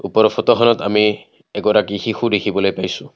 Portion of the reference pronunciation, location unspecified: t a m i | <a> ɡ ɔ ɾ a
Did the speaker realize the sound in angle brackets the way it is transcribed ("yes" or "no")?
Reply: no